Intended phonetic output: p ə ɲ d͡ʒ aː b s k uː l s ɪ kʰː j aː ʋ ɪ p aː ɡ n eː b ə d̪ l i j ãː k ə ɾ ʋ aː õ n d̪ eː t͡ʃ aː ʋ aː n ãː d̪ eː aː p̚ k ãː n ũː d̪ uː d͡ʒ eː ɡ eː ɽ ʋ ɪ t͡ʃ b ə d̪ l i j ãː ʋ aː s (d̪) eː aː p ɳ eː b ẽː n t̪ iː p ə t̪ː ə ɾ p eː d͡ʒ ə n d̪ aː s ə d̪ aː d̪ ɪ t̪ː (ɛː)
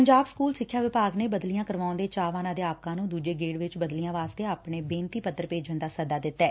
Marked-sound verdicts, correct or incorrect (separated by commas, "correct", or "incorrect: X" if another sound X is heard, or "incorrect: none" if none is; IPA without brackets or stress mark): incorrect: t̪, correct